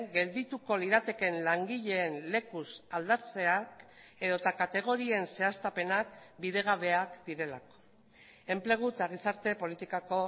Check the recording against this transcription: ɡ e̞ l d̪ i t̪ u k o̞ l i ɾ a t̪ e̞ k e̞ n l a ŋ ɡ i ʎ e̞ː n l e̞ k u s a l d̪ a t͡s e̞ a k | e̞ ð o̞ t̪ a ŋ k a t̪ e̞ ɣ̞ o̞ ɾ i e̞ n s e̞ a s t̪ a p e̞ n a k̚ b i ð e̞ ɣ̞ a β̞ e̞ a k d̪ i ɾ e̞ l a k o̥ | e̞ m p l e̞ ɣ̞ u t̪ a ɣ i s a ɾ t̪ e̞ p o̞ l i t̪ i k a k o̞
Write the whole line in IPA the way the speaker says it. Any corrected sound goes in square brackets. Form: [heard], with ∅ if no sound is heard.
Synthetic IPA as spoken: ɡ e̞ l d̪ i t̪ u k o̞ l i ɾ a t̪ e̞ k e̞ n l a ŋ ɡ i ʎ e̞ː n l e̞ k u s a l d̪ a t͡s e̞ a k | e̞ ð o̞ t̪ a [∅] k a t̪ e̞ ɣ̞ o̞ ɾ i e̞ n s e̞ a s t̪ a p e̞ n a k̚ b i ð e̞ ɣ̞ a β̞ e̞ a k d̪ i ɾ e̞ l a k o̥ | e̞ m p l e̞ ɣ̞ u t̪ a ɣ i s a ɾ t̪ e̞ p o̞ l i t̪ i k a k o̞